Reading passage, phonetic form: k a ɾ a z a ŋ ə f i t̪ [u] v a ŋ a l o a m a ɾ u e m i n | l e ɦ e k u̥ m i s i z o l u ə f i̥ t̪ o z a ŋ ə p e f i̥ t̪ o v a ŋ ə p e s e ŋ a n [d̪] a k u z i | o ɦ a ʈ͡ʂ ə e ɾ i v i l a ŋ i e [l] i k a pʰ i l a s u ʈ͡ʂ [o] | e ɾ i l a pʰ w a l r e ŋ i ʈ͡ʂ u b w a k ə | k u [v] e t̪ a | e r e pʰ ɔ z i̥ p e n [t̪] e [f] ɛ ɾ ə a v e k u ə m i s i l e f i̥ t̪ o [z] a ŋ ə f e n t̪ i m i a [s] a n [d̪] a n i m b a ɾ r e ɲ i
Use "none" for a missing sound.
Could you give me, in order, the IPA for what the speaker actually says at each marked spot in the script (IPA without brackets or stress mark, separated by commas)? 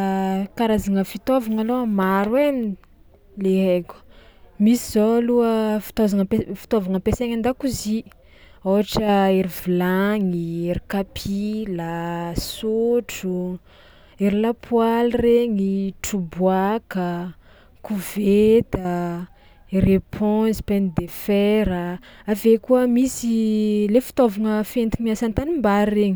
o, d̪, ɾ, u, v, d̪, f, v, s, t̪